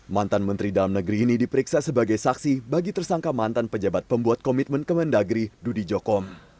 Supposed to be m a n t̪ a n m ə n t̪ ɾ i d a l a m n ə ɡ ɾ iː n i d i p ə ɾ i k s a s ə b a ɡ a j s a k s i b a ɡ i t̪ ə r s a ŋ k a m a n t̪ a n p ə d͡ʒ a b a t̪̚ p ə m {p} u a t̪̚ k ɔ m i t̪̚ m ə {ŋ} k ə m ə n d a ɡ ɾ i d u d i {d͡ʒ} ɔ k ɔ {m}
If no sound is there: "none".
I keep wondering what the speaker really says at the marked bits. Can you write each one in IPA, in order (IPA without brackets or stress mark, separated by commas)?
b, n, d͡ʒ, m